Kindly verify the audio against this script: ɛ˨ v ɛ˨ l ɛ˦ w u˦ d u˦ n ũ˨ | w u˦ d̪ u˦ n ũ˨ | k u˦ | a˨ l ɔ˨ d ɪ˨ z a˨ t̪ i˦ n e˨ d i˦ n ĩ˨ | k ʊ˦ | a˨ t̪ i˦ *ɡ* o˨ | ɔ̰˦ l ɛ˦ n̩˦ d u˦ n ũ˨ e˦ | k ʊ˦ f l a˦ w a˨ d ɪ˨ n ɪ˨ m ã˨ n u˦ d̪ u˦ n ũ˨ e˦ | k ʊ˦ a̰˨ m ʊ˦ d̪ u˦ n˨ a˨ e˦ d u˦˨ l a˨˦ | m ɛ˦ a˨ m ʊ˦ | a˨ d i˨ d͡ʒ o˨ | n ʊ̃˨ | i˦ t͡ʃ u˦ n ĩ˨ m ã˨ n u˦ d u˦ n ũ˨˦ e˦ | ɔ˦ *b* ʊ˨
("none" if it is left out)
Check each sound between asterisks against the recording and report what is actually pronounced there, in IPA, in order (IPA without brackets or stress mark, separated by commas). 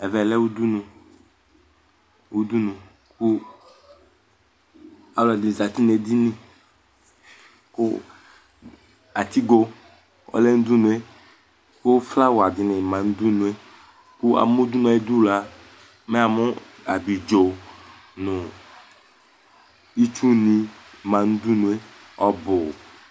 ɡ, b